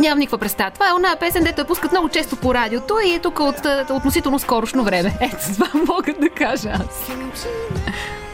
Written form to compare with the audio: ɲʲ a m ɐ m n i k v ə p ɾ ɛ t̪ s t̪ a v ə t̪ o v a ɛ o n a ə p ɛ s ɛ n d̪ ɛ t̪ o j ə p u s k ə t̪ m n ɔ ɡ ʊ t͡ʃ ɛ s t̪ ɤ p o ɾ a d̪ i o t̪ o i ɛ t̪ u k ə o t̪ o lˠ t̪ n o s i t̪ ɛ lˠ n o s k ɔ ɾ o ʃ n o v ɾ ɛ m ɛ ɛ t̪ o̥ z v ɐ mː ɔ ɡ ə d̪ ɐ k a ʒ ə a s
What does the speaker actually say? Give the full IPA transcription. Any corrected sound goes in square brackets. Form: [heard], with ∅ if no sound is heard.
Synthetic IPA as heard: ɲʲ a m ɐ m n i k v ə p ɾ ɛ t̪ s t̪ a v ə t̪ o v a ɛ o n a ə p ɛ s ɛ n d̪ ɛ t̪ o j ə p u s k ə t̪ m n ɔ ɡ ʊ t͡ʃ ɛ s t̪ [o] p o ɾ a d̪ i o t̪ o i ɛ t̪ u k ə o t̪ o [∅] t̪ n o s i t̪ ɛ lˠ n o s k ɔ ɾ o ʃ n o v ɾ ɛ m ɛ ɛ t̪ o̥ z v [a] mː ɔ ɡ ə d̪ ɐ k a ʒ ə a s